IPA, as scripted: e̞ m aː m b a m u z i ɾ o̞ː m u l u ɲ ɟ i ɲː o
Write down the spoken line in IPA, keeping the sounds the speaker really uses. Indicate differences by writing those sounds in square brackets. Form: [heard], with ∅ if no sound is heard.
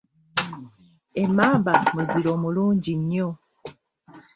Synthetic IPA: e̞ m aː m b a m u z i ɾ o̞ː m u l [uː] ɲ ɟ i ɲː o